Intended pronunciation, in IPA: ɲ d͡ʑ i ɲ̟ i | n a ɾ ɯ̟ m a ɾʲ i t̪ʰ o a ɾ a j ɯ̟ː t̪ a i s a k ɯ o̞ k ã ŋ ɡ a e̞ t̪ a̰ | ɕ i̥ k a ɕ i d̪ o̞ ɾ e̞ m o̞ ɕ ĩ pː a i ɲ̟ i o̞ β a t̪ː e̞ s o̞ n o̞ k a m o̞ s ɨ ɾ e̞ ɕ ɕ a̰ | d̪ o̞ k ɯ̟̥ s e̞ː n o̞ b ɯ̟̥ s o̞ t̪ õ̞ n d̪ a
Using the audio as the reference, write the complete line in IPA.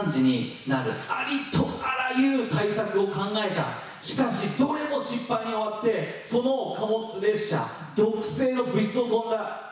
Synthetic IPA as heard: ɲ d͡ʑ i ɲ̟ i | n a ɾ ɯ̟ a ɾʲ i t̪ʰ o a ɾ a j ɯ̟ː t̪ a i s a k ɯ o̞ k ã ŋ ɡ a e̞ t̪ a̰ | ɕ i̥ k a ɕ i d̪ o̞ ɾ e̞ m o̞ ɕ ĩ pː a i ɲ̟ i o̞ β a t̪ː e̞ s o̞ n o̞ k a m o̞ t͡s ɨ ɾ e̞ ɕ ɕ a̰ | d̪ o̞ k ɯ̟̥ s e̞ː n o̞ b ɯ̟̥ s o̞ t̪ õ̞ n d̪ a